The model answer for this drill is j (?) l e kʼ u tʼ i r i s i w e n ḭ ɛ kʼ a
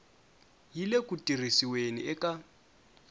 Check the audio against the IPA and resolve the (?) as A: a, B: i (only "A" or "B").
B